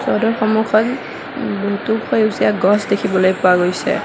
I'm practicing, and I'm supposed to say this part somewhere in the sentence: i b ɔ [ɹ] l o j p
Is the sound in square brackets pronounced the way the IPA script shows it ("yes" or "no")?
no